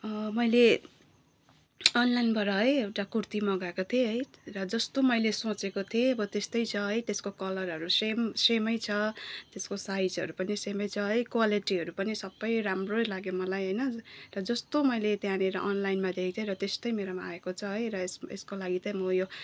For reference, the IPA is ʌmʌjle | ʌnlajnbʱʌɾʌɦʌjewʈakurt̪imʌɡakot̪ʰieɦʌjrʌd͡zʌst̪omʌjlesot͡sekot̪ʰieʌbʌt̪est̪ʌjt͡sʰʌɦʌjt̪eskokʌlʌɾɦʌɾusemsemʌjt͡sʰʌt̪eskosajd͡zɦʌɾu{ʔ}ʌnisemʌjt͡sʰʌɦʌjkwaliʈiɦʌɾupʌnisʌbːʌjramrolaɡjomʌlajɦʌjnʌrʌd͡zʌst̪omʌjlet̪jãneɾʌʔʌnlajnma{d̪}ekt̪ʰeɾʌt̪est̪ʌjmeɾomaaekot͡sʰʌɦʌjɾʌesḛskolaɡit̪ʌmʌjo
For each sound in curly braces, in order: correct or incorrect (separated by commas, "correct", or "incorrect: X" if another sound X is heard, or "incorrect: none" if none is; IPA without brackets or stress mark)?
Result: incorrect: p, correct